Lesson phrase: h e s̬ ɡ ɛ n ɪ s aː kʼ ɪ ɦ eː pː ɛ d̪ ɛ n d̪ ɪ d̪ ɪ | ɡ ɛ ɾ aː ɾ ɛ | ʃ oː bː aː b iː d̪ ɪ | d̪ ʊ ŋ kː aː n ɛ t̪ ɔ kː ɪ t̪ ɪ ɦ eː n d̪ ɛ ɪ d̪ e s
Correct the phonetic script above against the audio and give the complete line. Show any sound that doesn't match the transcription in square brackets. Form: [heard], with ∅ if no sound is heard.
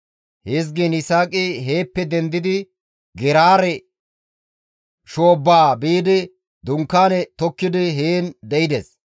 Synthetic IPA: h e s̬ ɡ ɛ n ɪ s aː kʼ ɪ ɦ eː pː ɛ d̪ ɛ n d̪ ɪ d̪ ɪ | ɡ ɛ ɾ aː ɾ ɛ | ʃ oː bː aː b iː d̪ ɪ | d̪ ʊ ŋ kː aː n ɛ t̪ ɔ kː ɪ [d̪] ɪ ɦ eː n d̪ ɛ ɪ d̪ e s

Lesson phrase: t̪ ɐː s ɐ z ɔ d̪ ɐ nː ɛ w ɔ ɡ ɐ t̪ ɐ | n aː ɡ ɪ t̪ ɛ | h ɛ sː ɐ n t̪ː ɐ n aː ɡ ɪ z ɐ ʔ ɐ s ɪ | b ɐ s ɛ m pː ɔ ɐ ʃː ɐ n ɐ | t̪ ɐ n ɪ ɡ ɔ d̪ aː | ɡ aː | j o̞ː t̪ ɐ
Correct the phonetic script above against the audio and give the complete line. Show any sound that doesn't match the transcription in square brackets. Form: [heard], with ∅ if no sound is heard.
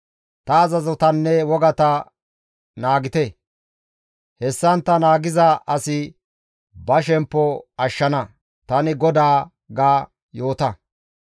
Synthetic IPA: t̪ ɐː [z] ɐ z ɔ [t̪] ɐ nː ɛ w ɔ ɡ ɐ t̪ ɐ | n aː ɡ ɪ t̪ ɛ | h ɛ sː ɐ n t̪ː ɐ n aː ɡ ɪ z ɐ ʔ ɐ s ɪ | b ɐ [ʃ] ɛ m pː ɔ ɐ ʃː ɐ n ɐ | t̪ ɐ n ɪ ɡ ɔ d̪ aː | ɡ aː | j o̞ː t̪ ɐ

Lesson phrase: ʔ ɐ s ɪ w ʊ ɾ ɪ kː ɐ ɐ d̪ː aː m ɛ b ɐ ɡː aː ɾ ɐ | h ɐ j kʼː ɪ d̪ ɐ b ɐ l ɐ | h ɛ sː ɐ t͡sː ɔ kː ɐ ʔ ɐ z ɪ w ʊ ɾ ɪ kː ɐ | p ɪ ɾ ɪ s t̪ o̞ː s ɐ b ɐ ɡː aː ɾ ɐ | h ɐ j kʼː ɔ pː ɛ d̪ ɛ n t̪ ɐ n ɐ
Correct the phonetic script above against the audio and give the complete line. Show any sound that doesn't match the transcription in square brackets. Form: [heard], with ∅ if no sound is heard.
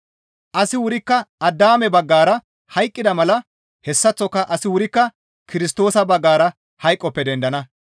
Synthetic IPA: ʔ ɐ s ɪ w ʊ ɾ ɪ kː ɐ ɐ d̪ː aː m ɛ b ɐ ɡː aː ɾ ɐ | h ɐ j kʼː ɪ d̪ ɐ [m] ɐ l ɐ | h ɛ sː ɐ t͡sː ɔ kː ɐ ʔ ɐ [s] ɪ w ʊ ɾ ɪ kː ɐ | [k] ɪ ɾ ɪ s t̪ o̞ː s ɐ b ɐ ɡː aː ɾ ɐ | h ɐ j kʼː ɔ pː ɛ d̪ ɛ n [d̪] ɐ n ɐ

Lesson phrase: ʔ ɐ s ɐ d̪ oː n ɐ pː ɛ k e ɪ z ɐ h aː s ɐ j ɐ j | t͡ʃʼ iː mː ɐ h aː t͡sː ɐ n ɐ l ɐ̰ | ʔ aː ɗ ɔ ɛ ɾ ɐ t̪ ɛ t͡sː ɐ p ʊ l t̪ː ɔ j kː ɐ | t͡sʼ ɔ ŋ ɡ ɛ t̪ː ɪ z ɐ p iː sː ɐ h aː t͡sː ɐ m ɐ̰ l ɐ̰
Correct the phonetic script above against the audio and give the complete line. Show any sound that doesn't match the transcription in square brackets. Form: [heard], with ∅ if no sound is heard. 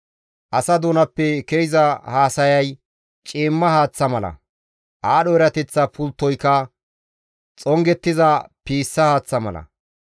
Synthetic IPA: ʔ ɐ s ɐ d̪ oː n ɐ pː ɛ k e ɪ z ɐ h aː s ɐ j ɐ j | t͡ʃʼ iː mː ɐ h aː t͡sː ɐ [m] ɐ l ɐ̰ | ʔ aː ɗ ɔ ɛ ɾ ɐ t̪ ɛ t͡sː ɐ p ʊ l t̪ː ɔ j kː ɐ | t͡sʼ ɔ ŋ ɡ ɛ t̪ː ɪ z ɐ p iː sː ɐ h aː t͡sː ɐ m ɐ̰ l ɐ̰

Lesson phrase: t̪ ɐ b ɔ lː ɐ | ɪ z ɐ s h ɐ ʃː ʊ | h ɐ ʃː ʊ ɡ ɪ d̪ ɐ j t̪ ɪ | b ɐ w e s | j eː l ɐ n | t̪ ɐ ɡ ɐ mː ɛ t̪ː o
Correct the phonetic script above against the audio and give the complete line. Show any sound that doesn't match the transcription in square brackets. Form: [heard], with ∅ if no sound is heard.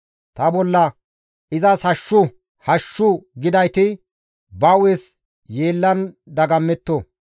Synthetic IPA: t̪ ɐ b ɔ lː ɐ | ɪ z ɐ s h ɐ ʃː ʊ | h ɐ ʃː ʊ ɡ ɪ d̪ ɐ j t̪ ɪ | b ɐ w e s | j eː [lː] ɐ n | [d̪] ɐ ɡ ɐ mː ɛ t̪ː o

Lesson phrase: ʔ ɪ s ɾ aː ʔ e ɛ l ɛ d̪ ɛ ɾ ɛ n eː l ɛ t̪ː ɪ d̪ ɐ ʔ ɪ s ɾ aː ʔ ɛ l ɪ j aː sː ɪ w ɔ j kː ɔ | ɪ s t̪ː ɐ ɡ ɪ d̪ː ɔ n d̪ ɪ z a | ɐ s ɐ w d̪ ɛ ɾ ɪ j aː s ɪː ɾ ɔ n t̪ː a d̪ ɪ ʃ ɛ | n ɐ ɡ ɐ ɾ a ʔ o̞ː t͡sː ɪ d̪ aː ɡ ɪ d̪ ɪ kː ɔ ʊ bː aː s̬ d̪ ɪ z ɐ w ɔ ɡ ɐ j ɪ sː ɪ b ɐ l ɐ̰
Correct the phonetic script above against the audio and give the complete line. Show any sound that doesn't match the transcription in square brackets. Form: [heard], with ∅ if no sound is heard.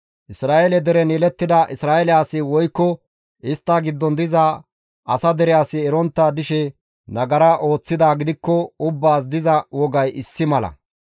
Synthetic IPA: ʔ ɪ s ɾ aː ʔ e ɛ l ɛ d̪ ɛ ɾ ɛ n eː l ɛ t̪ː ɪ d̪ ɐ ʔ ɪ s ɾ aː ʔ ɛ l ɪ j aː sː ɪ w ɔ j kː ɔ | ɪ s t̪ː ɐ ɡ ɪ d̪ː ɔ n d̪ ɪ z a | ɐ s ɐ [∅] d̪ ɛ ɾ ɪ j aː s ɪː ɾ ɔ n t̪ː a d̪ ɪ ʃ ɛ | n ɐ ɡ ɐ ɾ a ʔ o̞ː t͡sː ɪ d̪ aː ɡ ɪ d̪ ɪ kː ɔ ʊ bː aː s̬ d̪ ɪ z ɐ w ɔ ɡ ɐ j ɪ sː ɪ [m] ɐ l ɐ̰

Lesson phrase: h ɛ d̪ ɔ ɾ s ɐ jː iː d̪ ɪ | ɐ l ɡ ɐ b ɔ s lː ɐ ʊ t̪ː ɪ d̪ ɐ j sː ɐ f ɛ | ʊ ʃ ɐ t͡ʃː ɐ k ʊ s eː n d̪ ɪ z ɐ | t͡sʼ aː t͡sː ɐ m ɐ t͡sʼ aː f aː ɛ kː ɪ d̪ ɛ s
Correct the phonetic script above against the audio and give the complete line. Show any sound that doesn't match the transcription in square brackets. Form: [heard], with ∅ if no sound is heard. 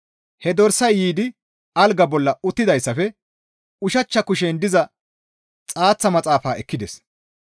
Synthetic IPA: h ɛ d̪ ɔ ɾ s ɐ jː iː d̪ ɪ | ɐ l ɡ ɐ b ɔ [∅] lː ɐ ʊ t̪ː ɪ d̪ ɐ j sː ɐ f ɛ | ʊ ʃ ɐ t͡ʃː ɐ k ʊ [ʃ] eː n d̪ ɪ z ɐ | t͡sʼ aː t͡sː ɐ m ɐ t͡sʼ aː f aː ɛ kː ɪ d̪ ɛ s

